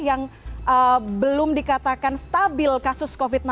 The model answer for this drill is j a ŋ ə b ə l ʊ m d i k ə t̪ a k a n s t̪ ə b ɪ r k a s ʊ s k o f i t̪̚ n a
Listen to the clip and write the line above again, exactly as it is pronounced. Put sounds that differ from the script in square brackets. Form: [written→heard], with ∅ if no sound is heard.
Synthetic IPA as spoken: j a ŋ ə b ə l ʊ m d i k [ə→a] t̪ a k a n s t̪ [ə→a] b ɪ [r→l] k a s ʊ s k o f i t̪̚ n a